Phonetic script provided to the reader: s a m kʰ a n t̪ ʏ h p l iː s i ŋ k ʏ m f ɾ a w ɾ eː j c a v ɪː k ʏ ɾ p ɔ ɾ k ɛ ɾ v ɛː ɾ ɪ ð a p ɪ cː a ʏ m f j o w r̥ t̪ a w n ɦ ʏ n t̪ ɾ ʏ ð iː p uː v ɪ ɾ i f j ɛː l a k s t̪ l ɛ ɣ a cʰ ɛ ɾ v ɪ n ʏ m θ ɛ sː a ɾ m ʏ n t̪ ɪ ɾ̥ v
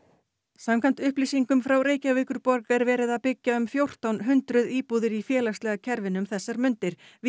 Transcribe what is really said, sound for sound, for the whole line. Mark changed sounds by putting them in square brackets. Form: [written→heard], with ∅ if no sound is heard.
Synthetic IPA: s a m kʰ a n t̪ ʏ h p l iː s i ŋ k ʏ m f ɾ a w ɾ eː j c a v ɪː k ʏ ɾ p ɔ ɾ k ɛ ɾ v ɛː ɾ ɪ ð a p ɪ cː a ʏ m f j o w r̥ t̪ a w n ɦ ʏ n t̪ ɾ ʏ ð iː p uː [v→ð] ɪ ɾ i f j ɛː l a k s t̪ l ɛ ɣ a cʰ ɛ ɾ v ɪ n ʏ m θ ɛ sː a ɾ m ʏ n t̪ ɪ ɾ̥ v